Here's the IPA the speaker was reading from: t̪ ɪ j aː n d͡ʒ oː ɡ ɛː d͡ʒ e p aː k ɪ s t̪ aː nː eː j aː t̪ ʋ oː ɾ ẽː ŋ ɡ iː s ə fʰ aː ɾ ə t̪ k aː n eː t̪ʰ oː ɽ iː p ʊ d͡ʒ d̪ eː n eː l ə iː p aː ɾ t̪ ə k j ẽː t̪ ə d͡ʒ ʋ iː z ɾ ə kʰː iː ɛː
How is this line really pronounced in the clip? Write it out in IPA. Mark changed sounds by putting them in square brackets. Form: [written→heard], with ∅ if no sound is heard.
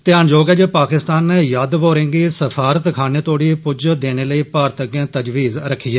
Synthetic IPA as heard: t̪ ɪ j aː n d͡ʒ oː ɡ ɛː d͡ʒ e p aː k ɪ s t̪ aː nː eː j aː [t̪→d̪] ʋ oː ɾ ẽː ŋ ɡ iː s ə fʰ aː ɾ ə t̪ [k→kʰ] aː n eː [t̪ʰ→t̪] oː ɽ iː p ʊ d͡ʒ d̪ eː n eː l ə iː p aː ɾ t̪ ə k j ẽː t̪ ə d͡ʒ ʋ iː z ɾ ə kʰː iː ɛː